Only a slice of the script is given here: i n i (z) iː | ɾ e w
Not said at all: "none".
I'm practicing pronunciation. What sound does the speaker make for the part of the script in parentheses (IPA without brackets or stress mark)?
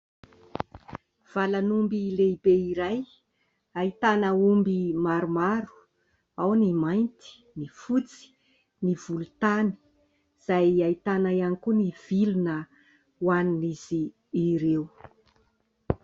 z